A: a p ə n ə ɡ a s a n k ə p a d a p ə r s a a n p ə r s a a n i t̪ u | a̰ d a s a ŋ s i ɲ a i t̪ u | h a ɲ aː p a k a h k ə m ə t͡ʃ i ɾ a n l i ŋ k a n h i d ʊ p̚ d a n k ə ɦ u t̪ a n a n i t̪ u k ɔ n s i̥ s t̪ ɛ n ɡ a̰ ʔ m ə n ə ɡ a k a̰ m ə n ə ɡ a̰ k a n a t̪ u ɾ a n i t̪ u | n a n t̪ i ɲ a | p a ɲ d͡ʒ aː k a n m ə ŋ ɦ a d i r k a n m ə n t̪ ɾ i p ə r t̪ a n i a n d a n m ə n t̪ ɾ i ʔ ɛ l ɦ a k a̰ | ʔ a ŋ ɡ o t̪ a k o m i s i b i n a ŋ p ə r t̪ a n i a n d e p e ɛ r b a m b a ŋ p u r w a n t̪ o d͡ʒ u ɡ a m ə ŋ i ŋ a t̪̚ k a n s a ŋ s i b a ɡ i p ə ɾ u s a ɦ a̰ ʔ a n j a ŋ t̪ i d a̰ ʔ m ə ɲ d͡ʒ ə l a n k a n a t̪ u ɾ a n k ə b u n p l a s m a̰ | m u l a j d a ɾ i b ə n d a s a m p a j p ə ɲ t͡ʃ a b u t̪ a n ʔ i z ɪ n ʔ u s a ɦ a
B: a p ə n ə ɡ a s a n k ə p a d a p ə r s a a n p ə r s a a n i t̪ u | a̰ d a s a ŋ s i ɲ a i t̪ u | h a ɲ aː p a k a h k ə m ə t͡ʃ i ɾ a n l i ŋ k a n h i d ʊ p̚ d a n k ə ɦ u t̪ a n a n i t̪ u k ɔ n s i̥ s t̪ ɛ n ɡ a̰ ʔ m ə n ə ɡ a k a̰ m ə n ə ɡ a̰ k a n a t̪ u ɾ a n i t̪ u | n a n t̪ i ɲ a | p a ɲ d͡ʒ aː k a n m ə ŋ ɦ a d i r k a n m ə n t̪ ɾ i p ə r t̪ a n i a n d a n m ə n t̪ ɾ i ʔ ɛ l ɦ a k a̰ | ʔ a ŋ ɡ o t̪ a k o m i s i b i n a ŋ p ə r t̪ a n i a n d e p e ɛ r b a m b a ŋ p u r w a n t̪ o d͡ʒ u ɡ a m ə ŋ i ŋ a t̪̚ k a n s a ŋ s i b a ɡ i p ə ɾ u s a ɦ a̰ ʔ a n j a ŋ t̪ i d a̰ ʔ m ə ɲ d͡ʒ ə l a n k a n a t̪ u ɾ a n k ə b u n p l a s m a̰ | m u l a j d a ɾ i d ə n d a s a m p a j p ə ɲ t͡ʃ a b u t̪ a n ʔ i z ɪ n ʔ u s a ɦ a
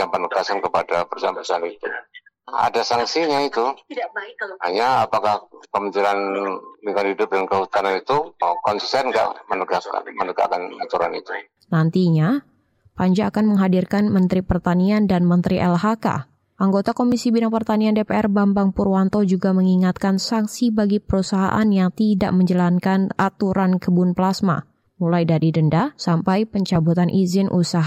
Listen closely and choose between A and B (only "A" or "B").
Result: B